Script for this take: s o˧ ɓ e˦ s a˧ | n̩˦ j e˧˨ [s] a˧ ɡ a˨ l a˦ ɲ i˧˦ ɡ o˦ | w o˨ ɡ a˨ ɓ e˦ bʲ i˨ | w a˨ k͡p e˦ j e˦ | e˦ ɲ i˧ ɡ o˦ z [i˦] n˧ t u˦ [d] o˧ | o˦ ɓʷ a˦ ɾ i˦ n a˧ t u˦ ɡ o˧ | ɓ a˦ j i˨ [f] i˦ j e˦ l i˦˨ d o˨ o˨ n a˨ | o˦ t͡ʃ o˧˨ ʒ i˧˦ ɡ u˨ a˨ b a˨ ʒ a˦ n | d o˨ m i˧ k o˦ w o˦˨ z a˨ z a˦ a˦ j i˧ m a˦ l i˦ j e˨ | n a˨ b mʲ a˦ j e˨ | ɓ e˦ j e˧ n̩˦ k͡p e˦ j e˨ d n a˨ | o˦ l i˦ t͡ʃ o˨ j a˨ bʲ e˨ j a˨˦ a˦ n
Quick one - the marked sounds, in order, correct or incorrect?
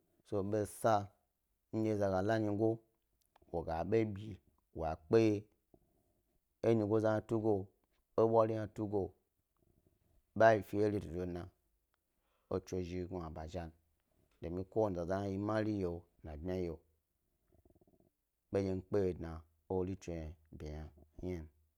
incorrect, incorrect, incorrect, correct

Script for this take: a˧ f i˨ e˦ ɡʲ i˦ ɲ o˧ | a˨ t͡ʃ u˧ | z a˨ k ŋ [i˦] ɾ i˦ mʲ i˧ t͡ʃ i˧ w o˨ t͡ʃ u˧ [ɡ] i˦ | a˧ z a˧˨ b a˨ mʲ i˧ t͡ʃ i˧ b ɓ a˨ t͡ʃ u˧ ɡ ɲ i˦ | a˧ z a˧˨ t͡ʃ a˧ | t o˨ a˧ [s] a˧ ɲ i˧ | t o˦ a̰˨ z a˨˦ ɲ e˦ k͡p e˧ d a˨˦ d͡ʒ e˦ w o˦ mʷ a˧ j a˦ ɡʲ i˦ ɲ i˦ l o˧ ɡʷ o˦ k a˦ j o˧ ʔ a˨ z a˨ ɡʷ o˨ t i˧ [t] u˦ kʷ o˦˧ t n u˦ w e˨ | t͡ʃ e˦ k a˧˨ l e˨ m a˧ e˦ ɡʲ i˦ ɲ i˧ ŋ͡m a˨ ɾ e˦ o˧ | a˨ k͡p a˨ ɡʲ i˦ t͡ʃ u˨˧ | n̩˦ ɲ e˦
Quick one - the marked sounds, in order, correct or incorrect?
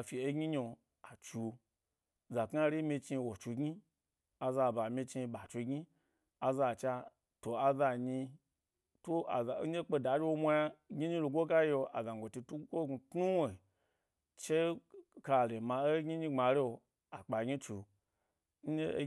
incorrect, correct, incorrect, correct

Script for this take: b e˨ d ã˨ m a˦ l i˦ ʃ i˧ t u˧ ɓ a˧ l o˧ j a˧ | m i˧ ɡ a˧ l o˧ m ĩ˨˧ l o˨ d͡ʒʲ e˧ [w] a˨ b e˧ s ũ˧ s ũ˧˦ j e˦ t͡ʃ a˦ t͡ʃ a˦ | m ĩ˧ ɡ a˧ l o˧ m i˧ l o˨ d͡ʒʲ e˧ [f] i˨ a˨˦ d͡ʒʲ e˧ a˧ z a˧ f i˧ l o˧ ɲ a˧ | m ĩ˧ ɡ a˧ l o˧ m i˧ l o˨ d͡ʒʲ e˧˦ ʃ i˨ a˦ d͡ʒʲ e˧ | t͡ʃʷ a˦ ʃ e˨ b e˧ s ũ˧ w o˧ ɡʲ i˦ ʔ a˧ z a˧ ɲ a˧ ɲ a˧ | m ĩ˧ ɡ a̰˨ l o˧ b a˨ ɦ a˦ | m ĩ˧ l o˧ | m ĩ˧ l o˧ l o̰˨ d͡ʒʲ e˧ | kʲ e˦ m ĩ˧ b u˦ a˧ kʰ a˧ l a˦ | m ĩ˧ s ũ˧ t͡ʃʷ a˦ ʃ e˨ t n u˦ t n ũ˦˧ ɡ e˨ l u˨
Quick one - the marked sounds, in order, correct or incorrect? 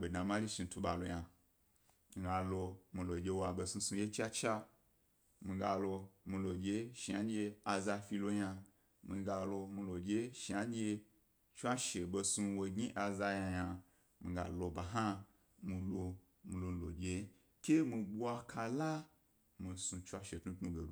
correct, incorrect

